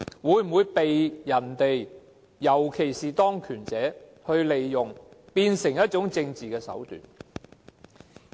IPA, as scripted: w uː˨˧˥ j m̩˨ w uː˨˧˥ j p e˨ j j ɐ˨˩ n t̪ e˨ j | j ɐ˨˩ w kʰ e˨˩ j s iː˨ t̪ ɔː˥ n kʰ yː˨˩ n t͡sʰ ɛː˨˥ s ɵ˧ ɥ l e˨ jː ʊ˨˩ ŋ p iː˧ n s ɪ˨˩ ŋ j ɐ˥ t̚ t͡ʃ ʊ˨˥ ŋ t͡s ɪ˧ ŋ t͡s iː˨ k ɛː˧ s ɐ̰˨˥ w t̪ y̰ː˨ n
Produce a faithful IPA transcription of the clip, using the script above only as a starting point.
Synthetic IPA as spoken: w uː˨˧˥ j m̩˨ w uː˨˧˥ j p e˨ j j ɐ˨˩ n t̪ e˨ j | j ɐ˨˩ w kʰ e˨˩ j s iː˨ t̪ ɔː˥ ŋ kʰ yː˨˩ n t͡s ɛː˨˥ h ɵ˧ ɥ l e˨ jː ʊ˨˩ ŋ p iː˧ n s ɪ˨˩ ŋ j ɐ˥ t̚ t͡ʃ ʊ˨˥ ŋ t͡s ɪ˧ ŋ t͡s iː˨ k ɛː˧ s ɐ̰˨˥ w t̪ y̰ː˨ n